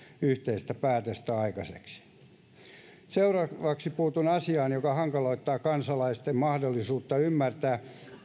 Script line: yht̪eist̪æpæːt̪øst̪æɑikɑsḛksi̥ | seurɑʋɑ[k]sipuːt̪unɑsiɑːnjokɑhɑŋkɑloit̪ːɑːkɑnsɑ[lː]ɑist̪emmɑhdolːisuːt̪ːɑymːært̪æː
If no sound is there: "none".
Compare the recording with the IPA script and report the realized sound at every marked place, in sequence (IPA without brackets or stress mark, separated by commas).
k, l